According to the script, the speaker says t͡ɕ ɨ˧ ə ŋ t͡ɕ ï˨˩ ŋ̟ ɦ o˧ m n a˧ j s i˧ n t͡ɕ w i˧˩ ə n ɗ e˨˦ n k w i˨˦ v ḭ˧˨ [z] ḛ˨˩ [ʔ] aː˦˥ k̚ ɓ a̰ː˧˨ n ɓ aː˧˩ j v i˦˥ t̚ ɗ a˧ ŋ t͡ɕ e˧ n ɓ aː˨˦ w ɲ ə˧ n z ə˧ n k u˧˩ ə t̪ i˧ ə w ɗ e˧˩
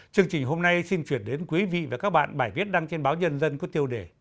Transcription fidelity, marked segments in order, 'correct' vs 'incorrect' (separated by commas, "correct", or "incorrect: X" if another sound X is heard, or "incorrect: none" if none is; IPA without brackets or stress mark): incorrect: v, incorrect: k